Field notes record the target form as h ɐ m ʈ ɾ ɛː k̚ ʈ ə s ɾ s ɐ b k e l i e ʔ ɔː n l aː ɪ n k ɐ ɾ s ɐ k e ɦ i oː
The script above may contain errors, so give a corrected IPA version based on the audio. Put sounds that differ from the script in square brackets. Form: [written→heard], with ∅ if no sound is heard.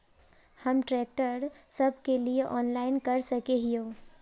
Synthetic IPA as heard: h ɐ m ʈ ɾ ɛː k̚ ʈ ə [s→∅] ɾ s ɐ b k e l i e ʔ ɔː n l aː ɪ n k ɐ ɾ s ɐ k e ɦ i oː